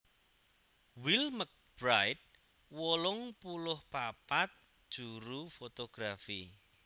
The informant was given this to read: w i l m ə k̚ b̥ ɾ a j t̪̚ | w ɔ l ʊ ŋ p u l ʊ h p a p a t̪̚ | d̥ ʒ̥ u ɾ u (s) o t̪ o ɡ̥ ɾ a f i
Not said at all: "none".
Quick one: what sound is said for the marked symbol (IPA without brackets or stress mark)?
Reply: f